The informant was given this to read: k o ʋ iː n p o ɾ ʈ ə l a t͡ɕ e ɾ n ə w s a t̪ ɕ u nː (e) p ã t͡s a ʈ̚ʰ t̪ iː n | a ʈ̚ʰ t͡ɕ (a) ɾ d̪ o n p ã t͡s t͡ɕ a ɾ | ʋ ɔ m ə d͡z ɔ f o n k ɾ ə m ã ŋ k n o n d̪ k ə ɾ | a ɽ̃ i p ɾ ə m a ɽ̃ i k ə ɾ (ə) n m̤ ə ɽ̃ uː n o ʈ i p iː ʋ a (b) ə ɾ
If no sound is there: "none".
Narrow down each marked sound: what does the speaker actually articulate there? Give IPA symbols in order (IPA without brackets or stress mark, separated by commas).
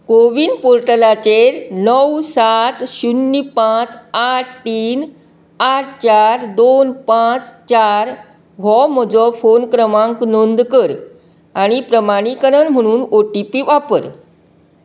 i, a, ə, p